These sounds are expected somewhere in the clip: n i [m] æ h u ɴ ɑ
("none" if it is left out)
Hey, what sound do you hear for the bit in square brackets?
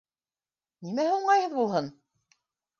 m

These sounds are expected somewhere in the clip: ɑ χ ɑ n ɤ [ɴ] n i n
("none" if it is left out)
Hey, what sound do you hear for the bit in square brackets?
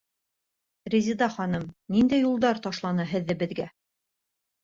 m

